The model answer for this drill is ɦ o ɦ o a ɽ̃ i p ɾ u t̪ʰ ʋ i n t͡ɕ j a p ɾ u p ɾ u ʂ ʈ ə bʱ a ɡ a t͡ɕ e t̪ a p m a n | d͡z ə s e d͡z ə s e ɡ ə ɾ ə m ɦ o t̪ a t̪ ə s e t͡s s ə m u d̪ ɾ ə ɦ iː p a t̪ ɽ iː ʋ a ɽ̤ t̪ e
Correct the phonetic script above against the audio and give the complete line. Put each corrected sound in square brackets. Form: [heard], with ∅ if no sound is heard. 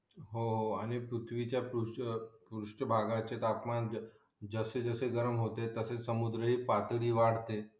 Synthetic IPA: ɦ o ɦ o a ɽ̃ i p ɾ u t̪ʰ ʋ i [∅] t͡ɕ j a p ɾ u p ɾ u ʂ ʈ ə bʱ a ɡ a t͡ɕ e t̪ a p m a n | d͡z ə s e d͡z ə s e ɡ ə ɾ ə m ɦ o t̪ [e] t̪ ə s e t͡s s ə m u d̪ ɾ ə ɦ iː p a t̪ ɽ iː ʋ a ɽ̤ t̪ e

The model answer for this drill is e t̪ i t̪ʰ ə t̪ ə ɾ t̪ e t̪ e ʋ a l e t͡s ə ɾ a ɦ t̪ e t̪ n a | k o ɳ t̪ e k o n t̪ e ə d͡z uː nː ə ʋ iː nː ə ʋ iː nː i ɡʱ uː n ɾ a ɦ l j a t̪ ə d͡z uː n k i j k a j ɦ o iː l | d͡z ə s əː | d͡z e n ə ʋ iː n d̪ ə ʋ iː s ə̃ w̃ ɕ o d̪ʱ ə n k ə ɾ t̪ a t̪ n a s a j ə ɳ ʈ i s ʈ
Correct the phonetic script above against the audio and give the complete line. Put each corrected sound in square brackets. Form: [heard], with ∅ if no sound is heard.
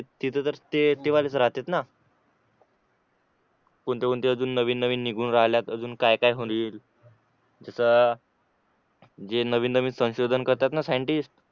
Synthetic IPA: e t̪ i t̪ʰ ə t̪ ə ɾ t̪ e t̪ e ʋ a l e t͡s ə ɾ a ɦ t̪ e t̪ n a | k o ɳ t̪ e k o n t̪ e ə d͡z uː nː ə ʋ iː nː ə ʋ iː nː i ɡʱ uː n ɾ a ɦ l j a t̪ ə d͡z uː n k [a] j k a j ɦ o iː l | d͡z ə s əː | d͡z e n ə ʋ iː n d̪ ə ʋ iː s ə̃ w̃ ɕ o d̪ʱ ə n k ə ɾ t̪ a t̪ n a s a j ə ɳ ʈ i s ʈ

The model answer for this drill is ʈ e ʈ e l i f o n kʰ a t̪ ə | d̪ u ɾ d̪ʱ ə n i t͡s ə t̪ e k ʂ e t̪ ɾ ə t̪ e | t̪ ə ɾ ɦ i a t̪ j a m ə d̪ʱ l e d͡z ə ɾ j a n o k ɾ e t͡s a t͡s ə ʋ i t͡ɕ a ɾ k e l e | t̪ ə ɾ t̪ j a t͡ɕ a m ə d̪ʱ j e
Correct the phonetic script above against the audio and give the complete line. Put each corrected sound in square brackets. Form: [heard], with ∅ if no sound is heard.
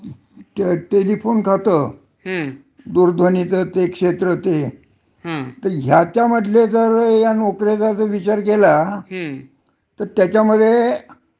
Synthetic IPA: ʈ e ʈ e l i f o n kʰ a t̪ ə | d̪ u ɾ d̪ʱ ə n i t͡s ə t̪ e k ʂ e t̪ ɾ ə t̪ e | t̪ ə ɾ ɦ [j] a t̪ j a m ə d̪ʱ l e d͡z ə ɾ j a n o k ɾ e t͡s a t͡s ə ʋ i t͡ɕ a ɾ k e l [a] | t̪ ə ɾ t̪ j a t͡ɕ a m ə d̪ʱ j e

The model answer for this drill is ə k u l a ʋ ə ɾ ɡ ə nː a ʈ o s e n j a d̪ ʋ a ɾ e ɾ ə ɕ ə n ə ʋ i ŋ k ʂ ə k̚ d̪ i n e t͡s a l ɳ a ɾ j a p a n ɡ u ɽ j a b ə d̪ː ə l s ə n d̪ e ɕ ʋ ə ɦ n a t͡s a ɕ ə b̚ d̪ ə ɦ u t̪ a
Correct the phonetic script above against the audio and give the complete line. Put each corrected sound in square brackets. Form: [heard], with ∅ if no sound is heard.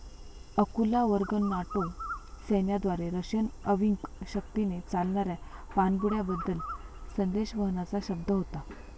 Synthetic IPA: ə k u l a ʋ ə ɾ ɡ ə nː a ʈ o s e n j a d̪ ʋ a ɾ e ɾ ə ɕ ə n ə ʋ i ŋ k [ɕ] ə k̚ [t̪] i n e t͡s a l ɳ a ɾ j a p a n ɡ u ɽ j a b ə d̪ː ə l s ə n d̪ e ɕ ʋ ə ɦ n a t͡s a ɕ ə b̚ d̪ ə ɦ [o] t̪ a

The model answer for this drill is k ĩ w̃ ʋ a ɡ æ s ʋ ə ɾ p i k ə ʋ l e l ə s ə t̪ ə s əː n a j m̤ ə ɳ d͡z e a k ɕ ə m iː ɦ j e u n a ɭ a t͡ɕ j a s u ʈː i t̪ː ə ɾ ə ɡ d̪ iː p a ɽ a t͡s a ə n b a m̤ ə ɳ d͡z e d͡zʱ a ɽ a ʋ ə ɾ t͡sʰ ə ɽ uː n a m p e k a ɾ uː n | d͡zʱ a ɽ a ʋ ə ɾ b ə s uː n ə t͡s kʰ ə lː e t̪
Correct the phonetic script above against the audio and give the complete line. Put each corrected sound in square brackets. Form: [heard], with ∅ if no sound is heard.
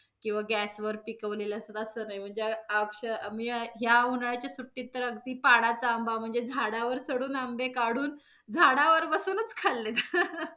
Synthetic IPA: k ĩ w̃ ʋ a ɡ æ s ʋ ə ɾ p i k ə ʋ l e l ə s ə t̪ ə s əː n a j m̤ ə ɳ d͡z e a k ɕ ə m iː ɦ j [a] u n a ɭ a t͡ɕ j a s u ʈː i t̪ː ə ɾ ə ɡ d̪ iː p a ɽ a t͡s a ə [m] b a m̤ ə ɳ d͡z e d͡zʱ a ɽ a ʋ ə ɾ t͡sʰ ə ɽ uː n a m [b] e k a [ɽ] uː n | d͡zʱ a ɽ a ʋ ə ɾ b ə s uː n ə t͡s kʰ [a] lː e t̪

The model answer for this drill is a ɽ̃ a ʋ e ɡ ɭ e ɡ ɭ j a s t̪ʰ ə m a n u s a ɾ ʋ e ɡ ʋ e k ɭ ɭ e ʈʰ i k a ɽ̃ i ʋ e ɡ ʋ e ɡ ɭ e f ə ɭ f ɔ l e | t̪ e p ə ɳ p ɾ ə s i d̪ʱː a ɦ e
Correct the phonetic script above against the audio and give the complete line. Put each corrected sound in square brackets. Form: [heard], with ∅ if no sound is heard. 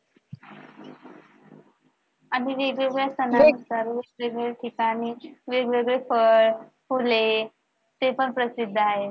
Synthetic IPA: a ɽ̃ [i] ʋ e ɡ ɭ e ɡ ɭ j a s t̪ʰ ə [n] a n u s a ɾ ʋ e ɡ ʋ e [ɡ] ɭ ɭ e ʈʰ i k a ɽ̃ i ʋ e ɡ ʋ e ɡ ɭ e f ə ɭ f [u] l e | t̪ e p ə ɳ p ɾ ə s i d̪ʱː a ɦ e

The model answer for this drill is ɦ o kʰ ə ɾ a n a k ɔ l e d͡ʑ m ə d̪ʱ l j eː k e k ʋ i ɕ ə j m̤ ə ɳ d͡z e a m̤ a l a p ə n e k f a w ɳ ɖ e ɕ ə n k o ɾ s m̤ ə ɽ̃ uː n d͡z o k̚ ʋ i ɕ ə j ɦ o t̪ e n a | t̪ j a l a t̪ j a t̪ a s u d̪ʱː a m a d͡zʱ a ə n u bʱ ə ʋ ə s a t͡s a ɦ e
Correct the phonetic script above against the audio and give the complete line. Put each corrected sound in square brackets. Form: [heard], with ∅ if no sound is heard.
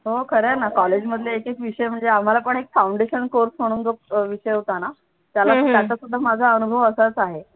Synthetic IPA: ɦ o kʰ ə ɾ a n a k ɔ l e d͡ʑ m ə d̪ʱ l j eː k e k ʋ i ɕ ə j m̤ ə ɳ d͡z e a m̤ a l a p ə [ɳ] e k f a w ɳ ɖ e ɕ ə n k o ɾ s m̤ ə ɽ̃ uː n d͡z o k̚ ʋ i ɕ ə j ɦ o t̪ [a] n a | t̪ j a l a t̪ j a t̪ a s u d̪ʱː a m a d͡zʱ a ə n u bʱ ə ʋ ə s a t͡s a ɦ e

